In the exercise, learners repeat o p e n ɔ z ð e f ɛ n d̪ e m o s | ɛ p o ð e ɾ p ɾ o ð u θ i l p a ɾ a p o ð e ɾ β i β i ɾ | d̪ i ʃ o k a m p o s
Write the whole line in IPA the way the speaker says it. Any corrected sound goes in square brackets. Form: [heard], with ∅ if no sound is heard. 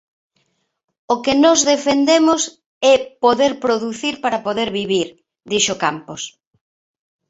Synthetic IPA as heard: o [k] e n ɔ z ð e f [e] n d̪ e m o s | ɛ p o ð e ɾ p ɾ o ð u θ i [ɾ] p a ɾ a p o ð e ɾ β i β i ɾ | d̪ i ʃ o k a m p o s